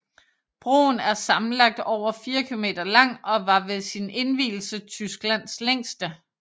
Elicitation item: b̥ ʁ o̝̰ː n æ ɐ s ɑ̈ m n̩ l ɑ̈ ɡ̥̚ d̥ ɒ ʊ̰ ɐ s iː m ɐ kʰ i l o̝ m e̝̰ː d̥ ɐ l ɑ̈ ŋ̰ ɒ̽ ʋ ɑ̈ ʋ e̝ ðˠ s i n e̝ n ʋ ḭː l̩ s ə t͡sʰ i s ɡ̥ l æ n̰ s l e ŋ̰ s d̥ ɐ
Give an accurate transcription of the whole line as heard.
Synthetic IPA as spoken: b̥ ʁ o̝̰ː n æ ɐ s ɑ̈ m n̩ l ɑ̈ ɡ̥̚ d̥ ɒ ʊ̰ ɐ f iː ɐ kʰ i l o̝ m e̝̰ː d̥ ɐ l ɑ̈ ŋ̰ ɒ̽ ʋ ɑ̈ ʋ e̝ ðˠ s i n e̝ n ʋ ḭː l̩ s ə t͡sʰ y s ɡ̥ l æ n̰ s l e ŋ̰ s d̥ ə